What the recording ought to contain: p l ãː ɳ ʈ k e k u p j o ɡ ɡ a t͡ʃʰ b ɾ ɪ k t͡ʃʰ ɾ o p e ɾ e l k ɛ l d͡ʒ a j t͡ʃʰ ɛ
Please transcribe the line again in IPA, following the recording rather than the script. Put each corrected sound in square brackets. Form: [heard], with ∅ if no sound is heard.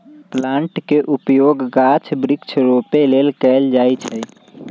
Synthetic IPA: p l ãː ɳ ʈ k e [ʔ] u p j o ɡ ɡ a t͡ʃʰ b ɾ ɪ k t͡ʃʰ ɾ o p e [l] e l k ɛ l d͡ʒ a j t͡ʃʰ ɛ